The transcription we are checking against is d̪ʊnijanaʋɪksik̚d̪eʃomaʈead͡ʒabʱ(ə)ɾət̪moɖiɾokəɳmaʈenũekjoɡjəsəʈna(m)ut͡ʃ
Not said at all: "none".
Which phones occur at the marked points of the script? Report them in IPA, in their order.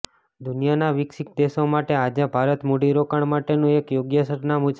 a, m

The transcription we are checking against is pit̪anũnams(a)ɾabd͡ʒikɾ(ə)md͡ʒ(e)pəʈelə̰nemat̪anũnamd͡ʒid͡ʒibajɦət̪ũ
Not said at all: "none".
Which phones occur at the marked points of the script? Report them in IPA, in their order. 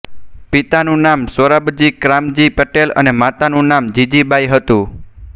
ə, a, i

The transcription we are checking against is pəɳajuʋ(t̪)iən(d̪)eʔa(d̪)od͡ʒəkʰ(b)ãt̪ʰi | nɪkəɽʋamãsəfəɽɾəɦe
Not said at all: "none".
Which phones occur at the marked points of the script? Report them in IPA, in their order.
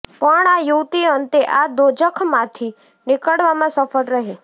t̪, t̪, d̪, m

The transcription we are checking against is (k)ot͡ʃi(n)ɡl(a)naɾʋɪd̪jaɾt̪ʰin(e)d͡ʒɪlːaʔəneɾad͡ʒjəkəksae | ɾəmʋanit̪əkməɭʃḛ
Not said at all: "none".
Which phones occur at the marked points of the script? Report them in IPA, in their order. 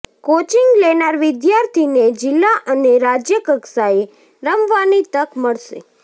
k, ŋ, e, e

